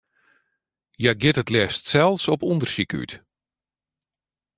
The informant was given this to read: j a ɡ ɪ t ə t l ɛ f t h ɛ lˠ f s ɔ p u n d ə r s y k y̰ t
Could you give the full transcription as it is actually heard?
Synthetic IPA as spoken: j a ɡ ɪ t ə t l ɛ s t s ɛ lˠ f s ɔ p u n d ə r s i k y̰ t